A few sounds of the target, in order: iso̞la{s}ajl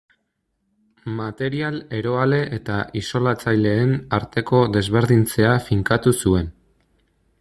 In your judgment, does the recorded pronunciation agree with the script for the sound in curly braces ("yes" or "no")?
no